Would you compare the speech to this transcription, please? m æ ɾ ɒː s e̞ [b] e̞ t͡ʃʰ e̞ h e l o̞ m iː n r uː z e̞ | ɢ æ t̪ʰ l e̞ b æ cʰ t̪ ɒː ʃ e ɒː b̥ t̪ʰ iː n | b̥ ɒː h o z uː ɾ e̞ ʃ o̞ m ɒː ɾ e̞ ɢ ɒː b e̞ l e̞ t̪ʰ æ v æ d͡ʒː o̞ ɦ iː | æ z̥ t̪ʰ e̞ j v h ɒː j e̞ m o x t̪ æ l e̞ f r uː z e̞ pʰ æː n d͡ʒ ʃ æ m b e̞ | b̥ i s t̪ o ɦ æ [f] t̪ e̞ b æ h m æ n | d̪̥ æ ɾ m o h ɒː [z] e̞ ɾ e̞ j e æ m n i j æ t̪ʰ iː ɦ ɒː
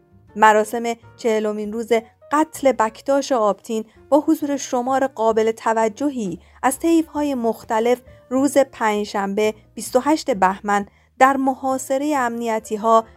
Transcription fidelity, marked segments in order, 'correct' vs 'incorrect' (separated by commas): incorrect, incorrect, incorrect